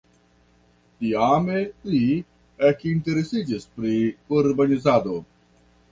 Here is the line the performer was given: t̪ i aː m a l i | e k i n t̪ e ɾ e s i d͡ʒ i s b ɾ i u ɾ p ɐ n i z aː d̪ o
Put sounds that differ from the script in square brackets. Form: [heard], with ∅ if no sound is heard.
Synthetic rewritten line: t̪ i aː m [e] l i | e k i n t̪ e ɾ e s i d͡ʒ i s [p] ɾ i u ɾ [b] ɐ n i z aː d̪ o